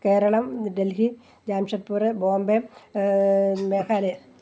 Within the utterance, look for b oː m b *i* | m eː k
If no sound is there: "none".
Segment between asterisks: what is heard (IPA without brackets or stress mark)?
e